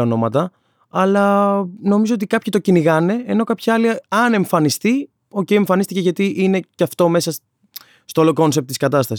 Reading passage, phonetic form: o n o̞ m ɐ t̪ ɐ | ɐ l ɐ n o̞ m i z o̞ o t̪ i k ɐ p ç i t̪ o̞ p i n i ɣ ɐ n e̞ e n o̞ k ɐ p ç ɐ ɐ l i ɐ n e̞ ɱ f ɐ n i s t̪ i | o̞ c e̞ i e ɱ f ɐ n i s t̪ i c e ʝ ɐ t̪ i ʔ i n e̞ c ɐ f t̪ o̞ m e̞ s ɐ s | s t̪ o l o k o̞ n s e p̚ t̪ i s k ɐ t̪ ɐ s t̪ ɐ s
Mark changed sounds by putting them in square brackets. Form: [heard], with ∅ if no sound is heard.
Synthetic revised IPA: o n o̞ m ɐ t̪ ɐ | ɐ l ɐ n o̞ m i z o̞ o t̪ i k ɐ p ç i t̪ o̞ [c] i n i ɣ ɐ n e̞ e n o̞ k ɐ p ç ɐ ɐ l i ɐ n e̞ ɱ f ɐ n i s t̪ i | o̞ c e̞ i e ɱ f ɐ n i s t̪ i c e ʝ ɐ t̪ i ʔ i n e̞ c ɐ f t̪ o̞ m e̞ s ɐ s | s t̪ o l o k o̞ n s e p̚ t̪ i s k ɐ t̪ ɐ s t̪ ɐ s